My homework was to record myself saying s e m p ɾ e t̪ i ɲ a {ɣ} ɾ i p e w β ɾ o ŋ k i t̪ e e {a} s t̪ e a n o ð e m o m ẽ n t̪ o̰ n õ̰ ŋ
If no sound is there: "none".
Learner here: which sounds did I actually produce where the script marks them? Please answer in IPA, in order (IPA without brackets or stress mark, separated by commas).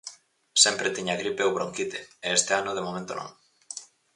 ɣ, e